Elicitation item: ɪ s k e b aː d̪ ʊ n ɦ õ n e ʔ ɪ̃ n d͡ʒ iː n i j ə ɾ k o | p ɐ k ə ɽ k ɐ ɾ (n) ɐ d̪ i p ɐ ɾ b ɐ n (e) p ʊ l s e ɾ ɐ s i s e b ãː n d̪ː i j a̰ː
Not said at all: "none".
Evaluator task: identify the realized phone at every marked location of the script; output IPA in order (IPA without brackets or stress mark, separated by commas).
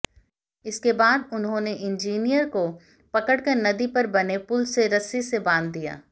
n, e